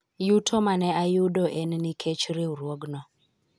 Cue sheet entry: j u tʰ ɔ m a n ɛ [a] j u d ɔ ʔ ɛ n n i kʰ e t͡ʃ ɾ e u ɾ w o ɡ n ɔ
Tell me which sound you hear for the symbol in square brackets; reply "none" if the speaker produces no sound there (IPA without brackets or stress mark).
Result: a